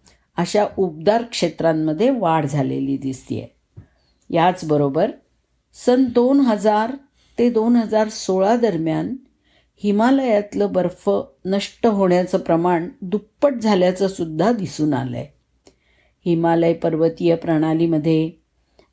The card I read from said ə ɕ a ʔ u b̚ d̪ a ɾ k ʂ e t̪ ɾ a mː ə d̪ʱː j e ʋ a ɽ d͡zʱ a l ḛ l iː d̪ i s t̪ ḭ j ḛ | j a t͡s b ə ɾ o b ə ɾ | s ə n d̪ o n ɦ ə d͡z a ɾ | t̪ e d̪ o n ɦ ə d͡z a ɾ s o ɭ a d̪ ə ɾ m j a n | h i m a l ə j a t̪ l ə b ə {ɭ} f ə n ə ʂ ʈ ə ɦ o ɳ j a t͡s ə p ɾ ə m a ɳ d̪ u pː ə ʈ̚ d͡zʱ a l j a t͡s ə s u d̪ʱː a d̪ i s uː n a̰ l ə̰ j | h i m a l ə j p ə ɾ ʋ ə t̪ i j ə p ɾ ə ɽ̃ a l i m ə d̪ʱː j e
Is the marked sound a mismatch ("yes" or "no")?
yes